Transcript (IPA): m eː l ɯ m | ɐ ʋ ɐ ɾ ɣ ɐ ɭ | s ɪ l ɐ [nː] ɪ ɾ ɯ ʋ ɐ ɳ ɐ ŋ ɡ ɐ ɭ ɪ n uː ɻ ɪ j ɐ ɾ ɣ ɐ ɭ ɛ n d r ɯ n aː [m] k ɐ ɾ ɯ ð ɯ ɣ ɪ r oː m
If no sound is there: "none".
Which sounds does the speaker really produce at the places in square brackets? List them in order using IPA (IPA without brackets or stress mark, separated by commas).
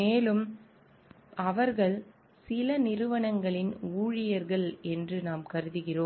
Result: n, m